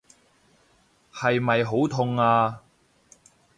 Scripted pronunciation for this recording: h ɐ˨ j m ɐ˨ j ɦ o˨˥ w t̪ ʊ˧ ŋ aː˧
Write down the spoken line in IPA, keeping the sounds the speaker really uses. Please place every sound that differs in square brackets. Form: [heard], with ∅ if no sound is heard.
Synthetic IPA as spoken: h ɐ˨ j m ɐ˨ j ɦ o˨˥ w [t̪ʰ] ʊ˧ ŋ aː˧